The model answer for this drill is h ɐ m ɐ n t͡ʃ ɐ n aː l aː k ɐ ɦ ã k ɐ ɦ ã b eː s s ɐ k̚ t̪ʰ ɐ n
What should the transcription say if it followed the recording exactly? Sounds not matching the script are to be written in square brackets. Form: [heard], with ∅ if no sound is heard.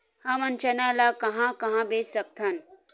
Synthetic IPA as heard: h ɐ m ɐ n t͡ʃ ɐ n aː l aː k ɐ ɦ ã k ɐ ɦ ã b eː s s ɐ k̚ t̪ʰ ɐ n